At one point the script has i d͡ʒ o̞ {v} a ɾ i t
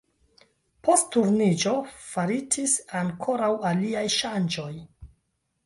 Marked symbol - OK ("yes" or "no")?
no